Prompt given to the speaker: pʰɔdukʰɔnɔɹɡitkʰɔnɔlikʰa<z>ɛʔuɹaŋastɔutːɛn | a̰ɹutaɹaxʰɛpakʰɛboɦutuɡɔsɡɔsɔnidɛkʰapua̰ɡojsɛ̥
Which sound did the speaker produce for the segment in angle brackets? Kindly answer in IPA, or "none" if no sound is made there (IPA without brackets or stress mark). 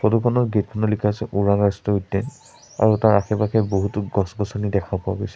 s